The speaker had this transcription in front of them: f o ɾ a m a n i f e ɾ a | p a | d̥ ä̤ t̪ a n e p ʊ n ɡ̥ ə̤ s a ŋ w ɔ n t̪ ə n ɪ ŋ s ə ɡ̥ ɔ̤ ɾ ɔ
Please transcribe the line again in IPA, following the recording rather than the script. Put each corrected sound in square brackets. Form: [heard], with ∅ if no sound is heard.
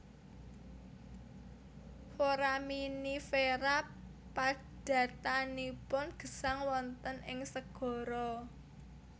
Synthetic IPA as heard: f o ɾ a m [i] n i f e ɾ a | p a | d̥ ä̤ t̪ a n [i] p ʊ n ɡ̥ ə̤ s a ŋ w ɔ n t̪ ə n ɪ ŋ s ə ɡ̥ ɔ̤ ɾ ɔ